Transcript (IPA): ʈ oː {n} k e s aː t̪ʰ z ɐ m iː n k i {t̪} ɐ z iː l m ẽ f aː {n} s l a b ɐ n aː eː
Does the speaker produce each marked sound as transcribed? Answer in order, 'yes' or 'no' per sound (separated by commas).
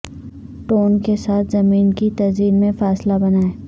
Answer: yes, yes, no